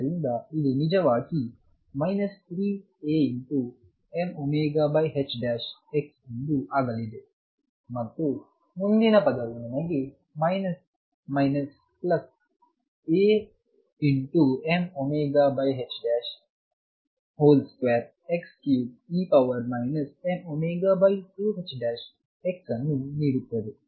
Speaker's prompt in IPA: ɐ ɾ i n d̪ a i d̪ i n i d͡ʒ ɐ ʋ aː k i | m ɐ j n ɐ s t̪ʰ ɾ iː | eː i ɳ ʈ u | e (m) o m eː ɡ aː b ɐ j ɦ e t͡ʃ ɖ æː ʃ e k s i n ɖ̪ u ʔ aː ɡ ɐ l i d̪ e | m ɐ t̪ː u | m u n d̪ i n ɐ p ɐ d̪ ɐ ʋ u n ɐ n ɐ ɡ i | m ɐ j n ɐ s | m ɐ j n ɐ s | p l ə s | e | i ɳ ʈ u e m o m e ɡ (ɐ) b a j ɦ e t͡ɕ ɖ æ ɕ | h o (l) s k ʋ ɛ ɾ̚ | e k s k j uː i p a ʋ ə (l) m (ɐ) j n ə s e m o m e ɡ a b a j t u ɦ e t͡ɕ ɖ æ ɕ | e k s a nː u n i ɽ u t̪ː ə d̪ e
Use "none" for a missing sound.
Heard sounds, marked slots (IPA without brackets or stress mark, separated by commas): m, a, l, ɾ, a